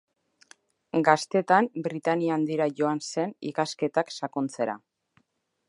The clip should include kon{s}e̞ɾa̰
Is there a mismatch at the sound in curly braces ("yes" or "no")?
yes